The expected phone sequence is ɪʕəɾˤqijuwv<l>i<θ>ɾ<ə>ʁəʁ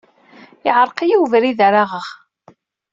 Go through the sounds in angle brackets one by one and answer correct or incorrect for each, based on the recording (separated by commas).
incorrect, incorrect, incorrect